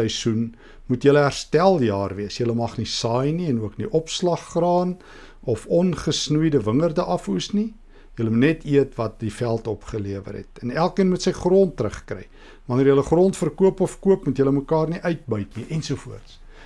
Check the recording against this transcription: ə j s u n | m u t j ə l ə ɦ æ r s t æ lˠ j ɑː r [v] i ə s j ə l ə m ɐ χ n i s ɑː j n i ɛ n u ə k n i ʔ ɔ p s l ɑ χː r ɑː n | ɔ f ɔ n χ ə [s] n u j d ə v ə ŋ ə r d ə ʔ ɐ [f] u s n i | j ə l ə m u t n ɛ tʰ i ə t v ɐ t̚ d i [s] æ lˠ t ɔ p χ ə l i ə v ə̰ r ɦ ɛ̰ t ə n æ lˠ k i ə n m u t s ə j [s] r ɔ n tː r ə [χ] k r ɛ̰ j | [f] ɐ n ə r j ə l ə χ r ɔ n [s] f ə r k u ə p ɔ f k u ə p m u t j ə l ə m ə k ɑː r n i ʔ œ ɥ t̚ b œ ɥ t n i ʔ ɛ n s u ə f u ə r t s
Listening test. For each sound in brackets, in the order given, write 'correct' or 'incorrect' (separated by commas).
correct, correct, correct, incorrect, incorrect, correct, incorrect, incorrect